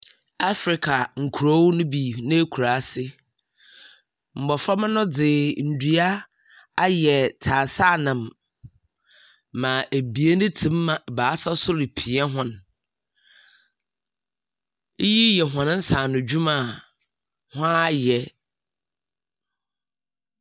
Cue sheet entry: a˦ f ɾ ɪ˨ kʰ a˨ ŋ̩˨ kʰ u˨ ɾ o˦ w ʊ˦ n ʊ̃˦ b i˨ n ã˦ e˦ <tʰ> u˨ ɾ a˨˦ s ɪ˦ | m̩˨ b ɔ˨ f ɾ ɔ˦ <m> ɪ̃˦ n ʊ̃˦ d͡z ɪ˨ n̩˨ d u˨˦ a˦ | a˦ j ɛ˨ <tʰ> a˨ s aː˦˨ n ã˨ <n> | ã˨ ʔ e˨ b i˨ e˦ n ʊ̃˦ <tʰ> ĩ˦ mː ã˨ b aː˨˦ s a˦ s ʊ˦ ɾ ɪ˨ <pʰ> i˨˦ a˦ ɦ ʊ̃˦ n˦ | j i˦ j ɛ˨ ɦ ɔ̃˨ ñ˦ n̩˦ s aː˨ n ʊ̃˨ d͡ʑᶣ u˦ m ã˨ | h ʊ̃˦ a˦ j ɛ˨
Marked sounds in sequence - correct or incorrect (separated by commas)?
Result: incorrect, correct, correct, incorrect, correct, correct